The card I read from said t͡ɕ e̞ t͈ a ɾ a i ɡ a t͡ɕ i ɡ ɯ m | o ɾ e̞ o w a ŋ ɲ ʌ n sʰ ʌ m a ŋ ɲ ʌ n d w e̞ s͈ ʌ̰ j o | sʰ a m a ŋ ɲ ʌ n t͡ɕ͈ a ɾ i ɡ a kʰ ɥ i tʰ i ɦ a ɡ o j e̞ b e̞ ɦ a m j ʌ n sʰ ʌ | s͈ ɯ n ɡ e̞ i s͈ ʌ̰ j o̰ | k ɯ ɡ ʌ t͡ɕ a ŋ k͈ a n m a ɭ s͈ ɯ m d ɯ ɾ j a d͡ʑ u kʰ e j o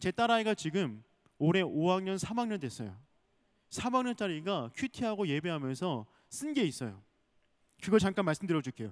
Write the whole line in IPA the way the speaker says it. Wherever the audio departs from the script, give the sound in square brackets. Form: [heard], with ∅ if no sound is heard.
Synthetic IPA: t͡ɕ e̞ t͈ a ɾ a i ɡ a t͡ɕ i ɡ ɯ m | o ɾ e̞ o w a ŋ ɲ ʌ n sʰ [a] m a ŋ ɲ ʌ n d w e̞ s͈ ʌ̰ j o | sʰ a m a ŋ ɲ ʌ n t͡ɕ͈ a ɾ i ɡ a kʰ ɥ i tʰ i ɦ a ɡ o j e̞ b e̞ ɦ a m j ʌ n sʰ ʌ | s͈ ɯ n ɡ e̞ i s͈ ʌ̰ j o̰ | k ɯ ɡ ʌ t͡ɕ a ŋ k͈ a n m a ɭ s͈ ɯ m d ɯ ɾ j [ʌ] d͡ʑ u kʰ e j o